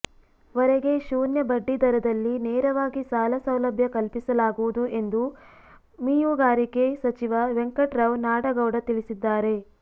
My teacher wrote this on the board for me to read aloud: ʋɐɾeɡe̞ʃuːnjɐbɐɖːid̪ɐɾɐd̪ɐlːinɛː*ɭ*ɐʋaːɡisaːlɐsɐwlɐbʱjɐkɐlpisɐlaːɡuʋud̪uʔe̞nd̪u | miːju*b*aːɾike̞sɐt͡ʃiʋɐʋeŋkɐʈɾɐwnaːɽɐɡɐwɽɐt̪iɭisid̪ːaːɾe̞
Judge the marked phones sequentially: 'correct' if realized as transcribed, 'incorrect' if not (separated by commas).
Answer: incorrect, incorrect